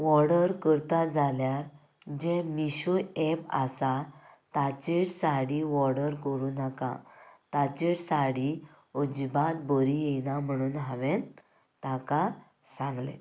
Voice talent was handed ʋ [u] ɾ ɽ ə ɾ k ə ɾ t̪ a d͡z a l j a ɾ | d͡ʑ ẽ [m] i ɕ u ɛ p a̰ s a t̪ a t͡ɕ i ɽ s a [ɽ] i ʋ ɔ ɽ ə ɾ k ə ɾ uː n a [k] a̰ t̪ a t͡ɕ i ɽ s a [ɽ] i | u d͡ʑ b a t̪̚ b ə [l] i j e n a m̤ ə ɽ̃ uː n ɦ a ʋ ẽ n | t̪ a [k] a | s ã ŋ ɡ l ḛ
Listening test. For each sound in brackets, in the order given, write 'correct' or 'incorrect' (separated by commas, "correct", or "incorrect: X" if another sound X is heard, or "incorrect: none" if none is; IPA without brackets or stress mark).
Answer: incorrect: ɔ, correct, correct, correct, correct, incorrect: ɾ, correct